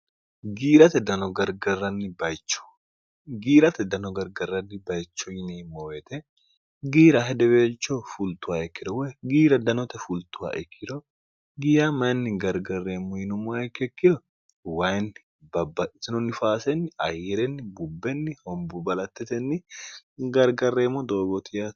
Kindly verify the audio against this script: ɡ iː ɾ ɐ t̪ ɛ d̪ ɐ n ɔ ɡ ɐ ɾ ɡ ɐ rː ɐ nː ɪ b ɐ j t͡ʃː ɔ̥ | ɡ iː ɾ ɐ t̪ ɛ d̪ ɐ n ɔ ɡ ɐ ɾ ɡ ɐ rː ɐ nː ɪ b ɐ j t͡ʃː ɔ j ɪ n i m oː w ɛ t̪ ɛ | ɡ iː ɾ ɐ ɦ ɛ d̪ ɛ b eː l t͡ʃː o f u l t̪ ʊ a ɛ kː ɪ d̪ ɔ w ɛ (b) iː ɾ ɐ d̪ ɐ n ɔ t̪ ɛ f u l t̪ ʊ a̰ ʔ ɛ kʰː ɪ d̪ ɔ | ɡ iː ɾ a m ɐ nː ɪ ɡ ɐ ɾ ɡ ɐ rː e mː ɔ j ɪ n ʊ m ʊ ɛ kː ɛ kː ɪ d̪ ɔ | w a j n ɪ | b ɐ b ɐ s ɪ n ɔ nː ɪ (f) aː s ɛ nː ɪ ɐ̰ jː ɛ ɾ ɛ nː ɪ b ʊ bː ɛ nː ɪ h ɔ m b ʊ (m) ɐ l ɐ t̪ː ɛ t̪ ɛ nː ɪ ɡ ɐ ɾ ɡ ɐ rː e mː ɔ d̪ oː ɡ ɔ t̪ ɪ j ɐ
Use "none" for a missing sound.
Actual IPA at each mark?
ɡ, f, b

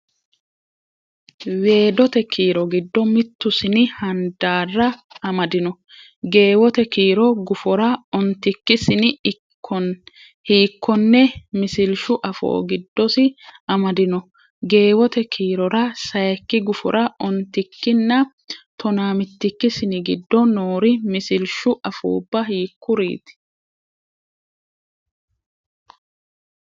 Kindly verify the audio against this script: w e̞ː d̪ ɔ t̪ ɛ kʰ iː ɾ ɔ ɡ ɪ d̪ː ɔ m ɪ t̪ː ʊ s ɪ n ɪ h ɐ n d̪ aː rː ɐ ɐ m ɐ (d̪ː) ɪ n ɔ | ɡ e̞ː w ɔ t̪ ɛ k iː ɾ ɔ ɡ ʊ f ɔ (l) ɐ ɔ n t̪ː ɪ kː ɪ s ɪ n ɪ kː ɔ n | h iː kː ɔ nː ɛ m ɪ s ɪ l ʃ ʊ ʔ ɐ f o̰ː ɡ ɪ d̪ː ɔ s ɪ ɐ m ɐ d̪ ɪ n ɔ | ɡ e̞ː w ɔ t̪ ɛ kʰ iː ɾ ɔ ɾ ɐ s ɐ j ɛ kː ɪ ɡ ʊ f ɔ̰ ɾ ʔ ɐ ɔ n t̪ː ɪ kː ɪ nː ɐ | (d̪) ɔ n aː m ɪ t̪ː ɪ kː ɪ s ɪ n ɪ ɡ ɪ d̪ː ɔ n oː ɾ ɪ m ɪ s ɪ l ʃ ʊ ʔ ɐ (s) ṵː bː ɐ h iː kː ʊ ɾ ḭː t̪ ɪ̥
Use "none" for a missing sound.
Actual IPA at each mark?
d̪, ɾ, t̪, f

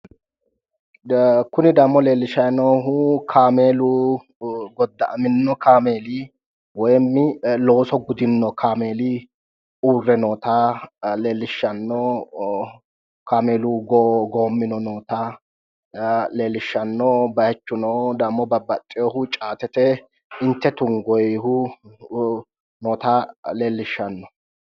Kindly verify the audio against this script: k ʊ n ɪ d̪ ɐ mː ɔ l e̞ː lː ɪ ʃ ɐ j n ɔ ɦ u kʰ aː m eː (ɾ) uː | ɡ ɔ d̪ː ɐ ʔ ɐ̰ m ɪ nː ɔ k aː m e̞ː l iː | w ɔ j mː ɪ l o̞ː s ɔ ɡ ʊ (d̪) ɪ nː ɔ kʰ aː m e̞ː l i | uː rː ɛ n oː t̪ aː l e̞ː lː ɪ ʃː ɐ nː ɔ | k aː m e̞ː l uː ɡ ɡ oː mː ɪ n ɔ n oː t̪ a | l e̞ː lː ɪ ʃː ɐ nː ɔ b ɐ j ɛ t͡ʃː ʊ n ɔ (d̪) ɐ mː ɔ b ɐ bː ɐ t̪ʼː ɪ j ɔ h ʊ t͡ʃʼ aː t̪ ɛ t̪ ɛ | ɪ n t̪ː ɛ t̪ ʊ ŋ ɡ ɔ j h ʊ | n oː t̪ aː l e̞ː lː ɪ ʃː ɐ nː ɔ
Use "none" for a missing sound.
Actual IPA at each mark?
l, d̪, d̪

